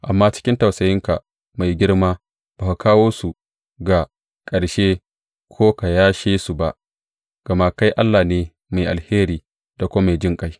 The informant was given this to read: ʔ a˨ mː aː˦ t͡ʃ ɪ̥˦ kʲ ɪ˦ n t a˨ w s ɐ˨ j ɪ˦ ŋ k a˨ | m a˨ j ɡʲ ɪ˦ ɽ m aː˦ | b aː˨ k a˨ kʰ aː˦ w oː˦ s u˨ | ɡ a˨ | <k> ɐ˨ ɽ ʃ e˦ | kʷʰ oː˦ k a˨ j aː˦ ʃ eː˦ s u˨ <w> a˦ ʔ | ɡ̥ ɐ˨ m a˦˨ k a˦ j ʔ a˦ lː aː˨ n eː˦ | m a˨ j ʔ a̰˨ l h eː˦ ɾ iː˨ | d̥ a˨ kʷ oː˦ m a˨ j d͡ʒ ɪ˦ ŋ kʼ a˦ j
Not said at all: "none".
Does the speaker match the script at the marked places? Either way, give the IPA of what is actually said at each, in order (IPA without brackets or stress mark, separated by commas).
kʼ, b